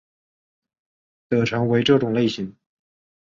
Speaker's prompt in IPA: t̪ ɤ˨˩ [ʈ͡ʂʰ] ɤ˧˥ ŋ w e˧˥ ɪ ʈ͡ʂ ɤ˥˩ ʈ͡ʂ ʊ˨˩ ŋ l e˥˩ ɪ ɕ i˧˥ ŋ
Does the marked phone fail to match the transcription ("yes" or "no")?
no